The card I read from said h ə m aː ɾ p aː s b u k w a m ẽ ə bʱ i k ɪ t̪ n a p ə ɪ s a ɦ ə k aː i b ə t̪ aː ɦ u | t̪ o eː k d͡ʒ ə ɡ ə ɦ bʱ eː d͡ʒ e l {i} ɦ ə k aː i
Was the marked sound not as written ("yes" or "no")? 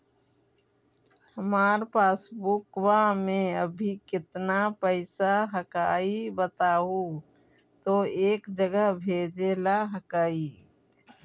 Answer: yes